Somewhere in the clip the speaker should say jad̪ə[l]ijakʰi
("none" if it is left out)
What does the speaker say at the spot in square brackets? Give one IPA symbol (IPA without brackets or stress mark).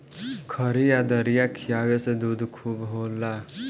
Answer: ɾ